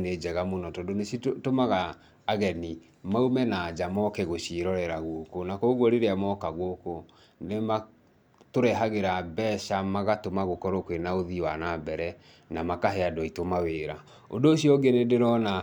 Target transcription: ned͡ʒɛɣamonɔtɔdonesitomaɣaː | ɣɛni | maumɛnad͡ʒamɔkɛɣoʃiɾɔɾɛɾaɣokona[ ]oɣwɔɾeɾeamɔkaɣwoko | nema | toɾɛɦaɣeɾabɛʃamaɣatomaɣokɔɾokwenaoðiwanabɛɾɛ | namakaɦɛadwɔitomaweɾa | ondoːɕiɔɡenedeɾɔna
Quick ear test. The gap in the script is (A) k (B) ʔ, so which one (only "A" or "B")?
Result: A